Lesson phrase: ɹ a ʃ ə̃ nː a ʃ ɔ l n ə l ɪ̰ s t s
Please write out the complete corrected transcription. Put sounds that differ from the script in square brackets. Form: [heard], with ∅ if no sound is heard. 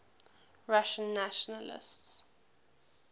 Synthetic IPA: ɹ a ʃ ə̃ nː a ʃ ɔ [∅] n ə l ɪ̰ s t s